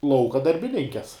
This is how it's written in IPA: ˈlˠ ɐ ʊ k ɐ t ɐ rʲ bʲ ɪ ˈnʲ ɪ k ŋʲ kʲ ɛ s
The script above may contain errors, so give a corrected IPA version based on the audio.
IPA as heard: ˈlˠ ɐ ʊ k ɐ d ɐ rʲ bʲ ɪ ˈnʲ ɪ ŋʲ kʲ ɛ s